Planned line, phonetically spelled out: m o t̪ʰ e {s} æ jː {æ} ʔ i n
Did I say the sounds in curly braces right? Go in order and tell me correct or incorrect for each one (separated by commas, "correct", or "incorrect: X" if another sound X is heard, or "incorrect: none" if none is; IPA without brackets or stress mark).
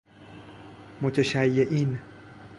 incorrect: ʃ, incorrect: e